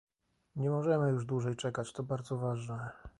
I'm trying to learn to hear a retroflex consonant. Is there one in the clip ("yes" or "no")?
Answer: yes